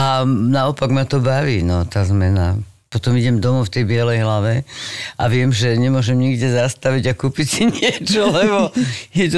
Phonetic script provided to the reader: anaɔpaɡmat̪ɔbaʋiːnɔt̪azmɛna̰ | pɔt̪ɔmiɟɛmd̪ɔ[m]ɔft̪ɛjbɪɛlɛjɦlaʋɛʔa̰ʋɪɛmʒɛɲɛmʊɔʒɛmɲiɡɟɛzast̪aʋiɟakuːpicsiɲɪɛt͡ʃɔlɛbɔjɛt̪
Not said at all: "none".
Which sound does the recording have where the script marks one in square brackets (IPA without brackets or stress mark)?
m